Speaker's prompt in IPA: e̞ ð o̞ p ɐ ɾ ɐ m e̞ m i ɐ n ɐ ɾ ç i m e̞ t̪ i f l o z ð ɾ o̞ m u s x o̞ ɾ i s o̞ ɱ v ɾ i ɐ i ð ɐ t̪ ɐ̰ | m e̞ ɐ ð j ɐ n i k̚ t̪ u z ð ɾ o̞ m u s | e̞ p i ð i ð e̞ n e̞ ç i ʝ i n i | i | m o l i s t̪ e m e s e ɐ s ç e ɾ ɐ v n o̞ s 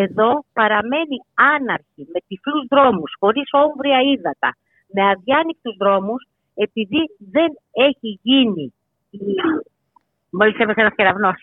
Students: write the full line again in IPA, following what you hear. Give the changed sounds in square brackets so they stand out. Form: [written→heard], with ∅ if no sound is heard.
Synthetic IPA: e̞ ð o̞ p ɐ ɾ ɐ m e̞ [m→n] i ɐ n ɐ ɾ ç i m e̞ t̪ i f l [o→u] z ð ɾ o̞ m u s x o̞ ɾ i s o̞ ɱ v ɾ i ɐ i ð ɐ t̪ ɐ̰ | m e̞ ɐ ð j ɐ n i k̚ t̪ u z ð ɾ o̞ m u s | e̞ p i ð i ð e̞ n e̞ ç i ʝ i n i | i | m o l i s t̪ e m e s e ɐ s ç e ɾ ɐ v n o̞ s